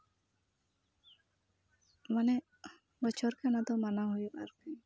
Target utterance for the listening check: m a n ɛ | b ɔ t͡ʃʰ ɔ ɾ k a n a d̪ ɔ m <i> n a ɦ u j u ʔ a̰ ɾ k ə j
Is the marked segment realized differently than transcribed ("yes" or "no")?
yes